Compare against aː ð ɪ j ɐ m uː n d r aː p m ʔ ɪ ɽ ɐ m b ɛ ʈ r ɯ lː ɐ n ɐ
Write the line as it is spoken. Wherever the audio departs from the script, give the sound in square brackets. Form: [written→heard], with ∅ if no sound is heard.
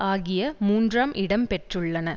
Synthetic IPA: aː [ð→ɣ] ɪ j ɐ m uː n d r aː [p→∅] m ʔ ɪ ɽ ɐ m [b→p] ɛ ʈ r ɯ [lː→ɭː] ɐ n ɐ